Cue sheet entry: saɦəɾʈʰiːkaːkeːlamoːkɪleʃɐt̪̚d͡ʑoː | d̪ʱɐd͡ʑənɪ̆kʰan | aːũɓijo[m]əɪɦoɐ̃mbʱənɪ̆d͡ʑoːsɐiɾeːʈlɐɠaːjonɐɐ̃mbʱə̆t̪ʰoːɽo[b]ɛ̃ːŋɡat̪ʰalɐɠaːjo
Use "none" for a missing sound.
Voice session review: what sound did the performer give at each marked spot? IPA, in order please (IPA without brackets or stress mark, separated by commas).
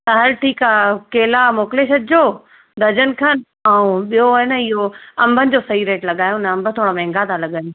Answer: n, m